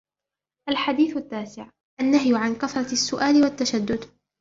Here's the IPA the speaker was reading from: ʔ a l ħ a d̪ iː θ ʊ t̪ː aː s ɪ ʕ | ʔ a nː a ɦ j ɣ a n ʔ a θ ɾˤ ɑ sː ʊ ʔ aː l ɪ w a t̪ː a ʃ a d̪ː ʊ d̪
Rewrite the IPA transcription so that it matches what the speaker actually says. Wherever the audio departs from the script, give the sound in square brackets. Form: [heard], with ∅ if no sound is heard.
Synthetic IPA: ʔ a l ħ a d̪ iː θ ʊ t̪ː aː s ɪ ʕ | ʔ a nː a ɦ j [ʕ] a n [k] a θ ɾˤ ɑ sː ʊ ʔ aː l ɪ w a t̪ː a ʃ a d̪ː ʊ d̪